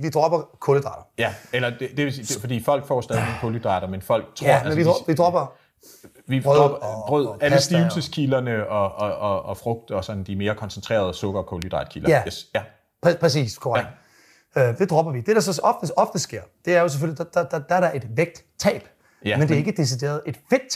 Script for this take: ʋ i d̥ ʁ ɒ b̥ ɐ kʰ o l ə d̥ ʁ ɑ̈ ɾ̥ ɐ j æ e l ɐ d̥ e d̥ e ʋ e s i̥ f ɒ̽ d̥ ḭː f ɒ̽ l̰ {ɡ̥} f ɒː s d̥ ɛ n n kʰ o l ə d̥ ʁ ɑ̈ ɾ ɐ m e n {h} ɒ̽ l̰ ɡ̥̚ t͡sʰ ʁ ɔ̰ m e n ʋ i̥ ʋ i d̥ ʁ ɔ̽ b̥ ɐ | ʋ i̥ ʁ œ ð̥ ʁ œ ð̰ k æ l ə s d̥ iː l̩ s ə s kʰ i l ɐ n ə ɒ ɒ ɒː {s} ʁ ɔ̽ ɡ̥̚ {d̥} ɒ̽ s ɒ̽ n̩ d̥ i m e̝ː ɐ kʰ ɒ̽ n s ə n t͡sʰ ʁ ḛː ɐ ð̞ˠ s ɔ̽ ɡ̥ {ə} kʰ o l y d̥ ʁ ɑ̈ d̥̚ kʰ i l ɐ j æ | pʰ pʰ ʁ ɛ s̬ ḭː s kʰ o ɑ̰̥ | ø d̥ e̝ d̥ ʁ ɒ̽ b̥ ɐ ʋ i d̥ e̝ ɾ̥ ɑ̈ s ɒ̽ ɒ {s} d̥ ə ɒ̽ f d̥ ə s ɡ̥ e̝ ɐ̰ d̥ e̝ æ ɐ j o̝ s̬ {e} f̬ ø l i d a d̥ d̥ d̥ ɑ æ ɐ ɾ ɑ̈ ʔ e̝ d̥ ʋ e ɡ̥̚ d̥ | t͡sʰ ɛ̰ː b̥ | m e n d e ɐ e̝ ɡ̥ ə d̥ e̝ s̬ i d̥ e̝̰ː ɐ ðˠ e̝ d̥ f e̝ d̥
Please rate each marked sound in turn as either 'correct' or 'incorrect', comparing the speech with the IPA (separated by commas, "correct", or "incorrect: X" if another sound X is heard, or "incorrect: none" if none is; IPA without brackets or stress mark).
correct, incorrect: f, incorrect: f, correct, incorrect: ɐ, incorrect: f, correct